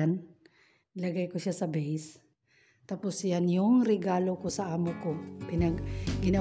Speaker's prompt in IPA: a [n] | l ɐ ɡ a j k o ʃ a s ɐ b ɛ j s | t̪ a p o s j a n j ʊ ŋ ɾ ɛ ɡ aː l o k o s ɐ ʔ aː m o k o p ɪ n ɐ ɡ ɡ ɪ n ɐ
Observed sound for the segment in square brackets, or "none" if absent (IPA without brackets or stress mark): n